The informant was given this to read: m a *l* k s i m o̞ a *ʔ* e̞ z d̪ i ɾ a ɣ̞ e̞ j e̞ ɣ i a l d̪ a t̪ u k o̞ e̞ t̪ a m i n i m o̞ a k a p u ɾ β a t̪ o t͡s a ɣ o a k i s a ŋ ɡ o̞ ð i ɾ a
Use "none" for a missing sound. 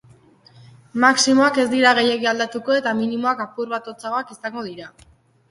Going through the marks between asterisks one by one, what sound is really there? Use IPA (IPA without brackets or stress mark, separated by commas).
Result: none, k